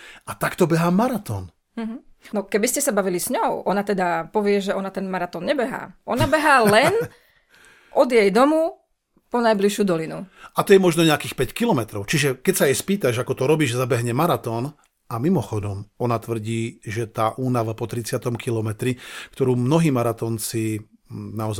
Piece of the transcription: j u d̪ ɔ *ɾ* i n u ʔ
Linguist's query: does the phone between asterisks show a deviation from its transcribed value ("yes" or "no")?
yes